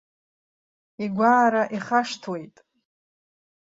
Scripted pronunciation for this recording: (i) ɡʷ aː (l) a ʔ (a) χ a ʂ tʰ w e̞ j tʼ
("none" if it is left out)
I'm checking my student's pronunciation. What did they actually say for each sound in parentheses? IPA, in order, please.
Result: i, ɾ, i

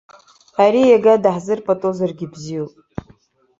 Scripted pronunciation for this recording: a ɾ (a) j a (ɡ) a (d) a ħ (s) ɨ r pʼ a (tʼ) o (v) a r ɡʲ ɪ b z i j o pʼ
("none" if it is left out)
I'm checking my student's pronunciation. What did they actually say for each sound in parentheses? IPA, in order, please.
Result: i, ɡ, d, z, tʼ, z

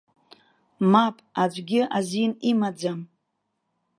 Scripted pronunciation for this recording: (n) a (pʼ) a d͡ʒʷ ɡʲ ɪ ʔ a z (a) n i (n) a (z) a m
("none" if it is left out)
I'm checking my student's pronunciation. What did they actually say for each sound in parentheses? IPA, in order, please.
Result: m, pʼ, i, m, d͡z

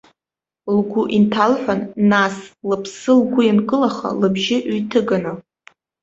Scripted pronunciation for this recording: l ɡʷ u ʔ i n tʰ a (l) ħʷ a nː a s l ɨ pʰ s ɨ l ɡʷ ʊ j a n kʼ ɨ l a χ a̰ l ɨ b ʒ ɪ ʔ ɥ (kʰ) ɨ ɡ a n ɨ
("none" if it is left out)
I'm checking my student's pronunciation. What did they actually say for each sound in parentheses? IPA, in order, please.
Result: l, tʰ

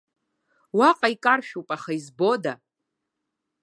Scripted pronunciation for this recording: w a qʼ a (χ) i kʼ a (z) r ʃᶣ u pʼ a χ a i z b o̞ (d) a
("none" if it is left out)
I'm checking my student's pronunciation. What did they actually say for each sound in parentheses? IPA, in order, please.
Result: none, none, d

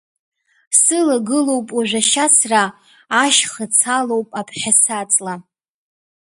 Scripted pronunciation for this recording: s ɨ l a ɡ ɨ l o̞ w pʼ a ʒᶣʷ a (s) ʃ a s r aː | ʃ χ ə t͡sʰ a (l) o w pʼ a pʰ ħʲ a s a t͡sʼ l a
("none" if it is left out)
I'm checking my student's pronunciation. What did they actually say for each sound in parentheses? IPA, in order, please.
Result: none, l

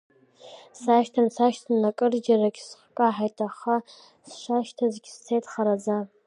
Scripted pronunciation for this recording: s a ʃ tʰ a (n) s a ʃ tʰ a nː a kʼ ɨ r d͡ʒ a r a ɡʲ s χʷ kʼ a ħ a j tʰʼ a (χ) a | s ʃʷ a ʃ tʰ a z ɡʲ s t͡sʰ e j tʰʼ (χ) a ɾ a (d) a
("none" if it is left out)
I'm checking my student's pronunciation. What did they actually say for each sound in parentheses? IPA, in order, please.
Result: n, χ, χ, d͡z

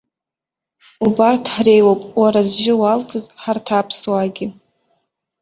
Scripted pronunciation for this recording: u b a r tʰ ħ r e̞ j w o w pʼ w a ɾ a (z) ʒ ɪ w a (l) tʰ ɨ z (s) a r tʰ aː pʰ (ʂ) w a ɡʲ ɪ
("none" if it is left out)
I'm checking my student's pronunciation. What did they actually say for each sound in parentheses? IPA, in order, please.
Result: z, l, ħ, s

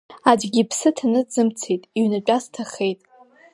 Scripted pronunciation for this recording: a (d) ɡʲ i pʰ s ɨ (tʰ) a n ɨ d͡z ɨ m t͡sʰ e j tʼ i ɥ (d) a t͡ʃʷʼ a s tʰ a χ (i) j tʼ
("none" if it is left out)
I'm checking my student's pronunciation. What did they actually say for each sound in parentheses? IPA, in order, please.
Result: d͡ʒ, tʰ, n, e

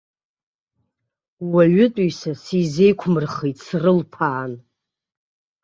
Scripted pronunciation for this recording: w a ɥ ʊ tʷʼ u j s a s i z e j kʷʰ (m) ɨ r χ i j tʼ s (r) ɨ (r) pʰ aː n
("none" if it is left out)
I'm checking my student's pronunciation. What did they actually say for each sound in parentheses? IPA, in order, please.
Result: m, r, l

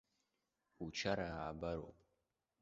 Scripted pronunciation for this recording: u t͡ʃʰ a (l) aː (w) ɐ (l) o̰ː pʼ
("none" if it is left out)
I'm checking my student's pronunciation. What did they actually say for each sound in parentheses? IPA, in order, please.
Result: ɾ, b, ɾ

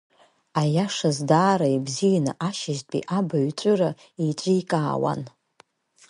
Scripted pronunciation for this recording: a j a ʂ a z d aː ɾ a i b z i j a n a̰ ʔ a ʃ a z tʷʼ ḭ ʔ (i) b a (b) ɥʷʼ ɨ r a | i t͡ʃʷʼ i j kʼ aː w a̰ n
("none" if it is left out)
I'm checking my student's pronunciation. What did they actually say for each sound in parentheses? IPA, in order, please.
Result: a, none

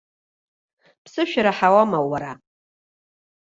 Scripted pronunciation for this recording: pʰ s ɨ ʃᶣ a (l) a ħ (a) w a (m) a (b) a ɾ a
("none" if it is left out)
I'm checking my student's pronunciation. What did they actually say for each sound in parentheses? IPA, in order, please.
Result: ɾ, a, m, w

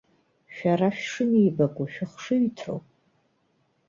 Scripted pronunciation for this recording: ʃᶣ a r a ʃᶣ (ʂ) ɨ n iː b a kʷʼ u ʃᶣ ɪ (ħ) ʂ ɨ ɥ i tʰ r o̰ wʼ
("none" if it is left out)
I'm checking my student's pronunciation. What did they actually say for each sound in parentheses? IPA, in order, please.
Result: ʂ, χ

